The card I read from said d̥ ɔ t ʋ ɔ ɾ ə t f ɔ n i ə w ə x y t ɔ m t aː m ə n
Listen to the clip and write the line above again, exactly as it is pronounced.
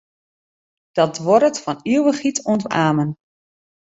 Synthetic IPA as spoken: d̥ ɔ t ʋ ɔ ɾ ə t f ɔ n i ə w ə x i t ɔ n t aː m ə n